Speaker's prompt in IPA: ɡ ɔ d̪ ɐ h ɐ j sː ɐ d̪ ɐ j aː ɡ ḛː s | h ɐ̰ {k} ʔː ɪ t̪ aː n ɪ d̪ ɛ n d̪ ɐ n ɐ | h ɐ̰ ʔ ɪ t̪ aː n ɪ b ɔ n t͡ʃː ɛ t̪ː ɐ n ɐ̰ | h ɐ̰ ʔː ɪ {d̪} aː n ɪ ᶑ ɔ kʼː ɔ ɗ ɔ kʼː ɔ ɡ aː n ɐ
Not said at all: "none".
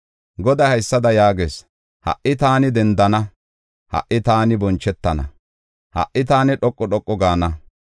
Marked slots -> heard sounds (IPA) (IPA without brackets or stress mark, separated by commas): ʔ, t̪